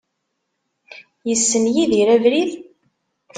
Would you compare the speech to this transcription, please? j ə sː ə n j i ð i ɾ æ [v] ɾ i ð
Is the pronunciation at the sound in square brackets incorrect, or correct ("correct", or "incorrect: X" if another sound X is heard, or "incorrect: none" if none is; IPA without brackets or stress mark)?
correct